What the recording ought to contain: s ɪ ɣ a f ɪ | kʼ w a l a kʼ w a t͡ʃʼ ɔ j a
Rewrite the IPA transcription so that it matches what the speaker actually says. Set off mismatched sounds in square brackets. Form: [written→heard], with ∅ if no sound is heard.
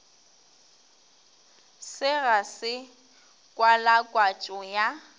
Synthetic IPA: s ɪ ɣ a [f→s] ɪ | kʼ w a l a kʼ w a t͡ʃʼ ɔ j a